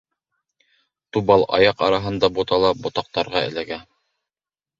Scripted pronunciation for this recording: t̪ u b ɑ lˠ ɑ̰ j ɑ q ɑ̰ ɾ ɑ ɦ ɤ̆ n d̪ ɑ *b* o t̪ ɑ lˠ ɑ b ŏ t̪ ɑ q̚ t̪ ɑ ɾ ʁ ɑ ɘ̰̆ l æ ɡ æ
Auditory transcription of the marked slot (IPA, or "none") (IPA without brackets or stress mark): b